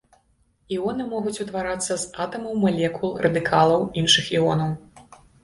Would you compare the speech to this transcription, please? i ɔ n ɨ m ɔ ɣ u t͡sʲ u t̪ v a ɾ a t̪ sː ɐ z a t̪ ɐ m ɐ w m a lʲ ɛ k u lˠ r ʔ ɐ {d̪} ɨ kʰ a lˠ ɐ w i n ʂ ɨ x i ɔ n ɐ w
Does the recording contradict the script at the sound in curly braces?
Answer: no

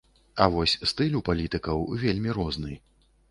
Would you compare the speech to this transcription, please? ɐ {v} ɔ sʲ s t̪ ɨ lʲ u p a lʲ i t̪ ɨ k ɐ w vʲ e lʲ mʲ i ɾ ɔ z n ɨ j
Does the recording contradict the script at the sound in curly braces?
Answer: no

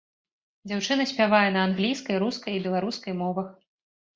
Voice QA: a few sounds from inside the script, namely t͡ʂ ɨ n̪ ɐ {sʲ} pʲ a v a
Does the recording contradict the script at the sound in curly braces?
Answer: no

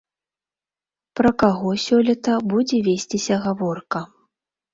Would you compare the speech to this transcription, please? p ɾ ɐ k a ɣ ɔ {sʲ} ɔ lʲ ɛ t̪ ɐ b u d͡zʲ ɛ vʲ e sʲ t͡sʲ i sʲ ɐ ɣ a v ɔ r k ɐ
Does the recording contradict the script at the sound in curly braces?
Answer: no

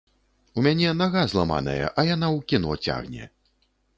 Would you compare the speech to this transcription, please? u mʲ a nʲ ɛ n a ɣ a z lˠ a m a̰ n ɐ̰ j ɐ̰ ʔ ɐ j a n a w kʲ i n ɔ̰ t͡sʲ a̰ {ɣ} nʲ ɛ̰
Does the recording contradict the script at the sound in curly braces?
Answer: no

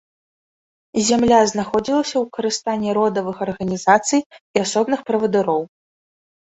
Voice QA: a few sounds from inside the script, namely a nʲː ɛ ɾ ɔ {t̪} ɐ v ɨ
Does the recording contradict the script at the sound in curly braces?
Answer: yes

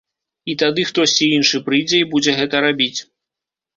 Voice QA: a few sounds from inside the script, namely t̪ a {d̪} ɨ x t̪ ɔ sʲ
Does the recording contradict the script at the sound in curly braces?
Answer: no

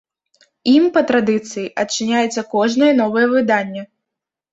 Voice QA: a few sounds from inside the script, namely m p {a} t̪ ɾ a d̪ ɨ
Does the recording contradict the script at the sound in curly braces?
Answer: yes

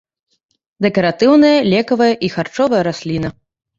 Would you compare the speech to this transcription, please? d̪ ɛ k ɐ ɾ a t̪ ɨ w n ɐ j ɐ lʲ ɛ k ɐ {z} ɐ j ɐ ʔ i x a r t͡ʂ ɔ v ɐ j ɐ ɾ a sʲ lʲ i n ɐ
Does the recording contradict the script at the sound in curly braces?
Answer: yes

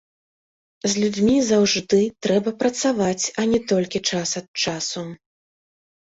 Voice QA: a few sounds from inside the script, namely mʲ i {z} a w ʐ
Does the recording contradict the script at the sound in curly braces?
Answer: no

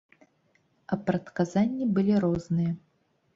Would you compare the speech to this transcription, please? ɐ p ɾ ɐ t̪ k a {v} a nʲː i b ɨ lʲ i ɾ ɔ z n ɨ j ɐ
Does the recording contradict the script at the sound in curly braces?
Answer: yes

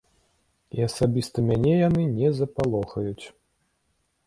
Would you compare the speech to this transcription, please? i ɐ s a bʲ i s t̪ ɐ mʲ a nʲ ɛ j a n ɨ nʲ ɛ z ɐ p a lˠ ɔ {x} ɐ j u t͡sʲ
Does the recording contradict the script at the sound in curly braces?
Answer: no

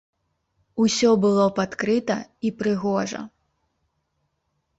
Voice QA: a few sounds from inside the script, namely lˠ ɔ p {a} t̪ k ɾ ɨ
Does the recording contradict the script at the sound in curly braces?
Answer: no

